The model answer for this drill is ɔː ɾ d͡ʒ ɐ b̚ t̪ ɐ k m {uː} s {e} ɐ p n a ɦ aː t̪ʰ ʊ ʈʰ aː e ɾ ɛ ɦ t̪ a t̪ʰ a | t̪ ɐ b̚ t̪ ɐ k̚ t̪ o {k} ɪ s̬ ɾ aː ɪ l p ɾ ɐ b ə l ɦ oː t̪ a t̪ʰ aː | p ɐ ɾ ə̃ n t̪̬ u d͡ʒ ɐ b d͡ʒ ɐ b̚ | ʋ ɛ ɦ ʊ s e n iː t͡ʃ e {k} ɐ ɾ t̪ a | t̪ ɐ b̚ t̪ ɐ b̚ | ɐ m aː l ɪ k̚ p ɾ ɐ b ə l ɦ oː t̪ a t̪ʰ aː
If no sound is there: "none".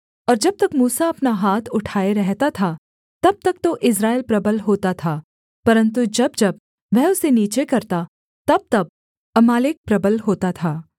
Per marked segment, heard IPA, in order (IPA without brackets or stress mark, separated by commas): uː, a, ʔ, k